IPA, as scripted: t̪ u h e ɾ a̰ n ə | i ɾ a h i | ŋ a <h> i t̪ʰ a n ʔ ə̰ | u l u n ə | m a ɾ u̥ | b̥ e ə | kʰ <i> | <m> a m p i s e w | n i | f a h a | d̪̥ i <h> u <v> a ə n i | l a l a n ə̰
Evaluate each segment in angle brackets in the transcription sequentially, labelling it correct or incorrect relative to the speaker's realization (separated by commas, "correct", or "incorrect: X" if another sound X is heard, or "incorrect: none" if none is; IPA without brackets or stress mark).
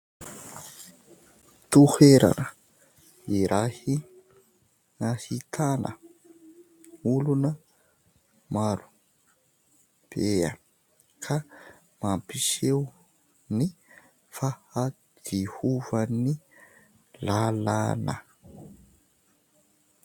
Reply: correct, incorrect: a, correct, correct, correct